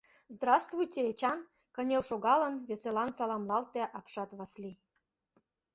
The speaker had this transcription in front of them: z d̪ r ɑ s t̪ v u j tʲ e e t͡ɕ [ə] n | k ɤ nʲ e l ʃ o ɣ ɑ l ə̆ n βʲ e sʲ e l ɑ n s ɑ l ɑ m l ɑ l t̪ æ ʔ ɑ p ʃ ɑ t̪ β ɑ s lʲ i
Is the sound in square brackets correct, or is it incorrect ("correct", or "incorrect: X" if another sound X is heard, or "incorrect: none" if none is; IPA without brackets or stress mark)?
incorrect: ɑ